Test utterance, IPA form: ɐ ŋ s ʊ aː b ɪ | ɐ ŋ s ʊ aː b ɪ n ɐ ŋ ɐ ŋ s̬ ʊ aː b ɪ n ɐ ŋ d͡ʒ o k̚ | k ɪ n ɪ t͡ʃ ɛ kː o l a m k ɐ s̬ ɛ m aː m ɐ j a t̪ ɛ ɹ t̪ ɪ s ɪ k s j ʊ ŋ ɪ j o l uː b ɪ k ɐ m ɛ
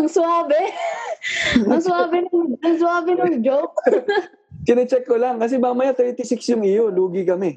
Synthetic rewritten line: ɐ ŋ s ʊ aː b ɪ | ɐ ŋ s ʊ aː b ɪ n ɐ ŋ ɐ ŋ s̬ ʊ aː b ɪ n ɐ ŋ d͡ʒ o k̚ | k ɪ n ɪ t͡ʃ ɛ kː o l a ŋ k ɐ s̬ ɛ m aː m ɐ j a t̪ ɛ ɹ t̪ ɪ s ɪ k s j ʊ ŋ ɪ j o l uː ɡ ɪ k ɐ m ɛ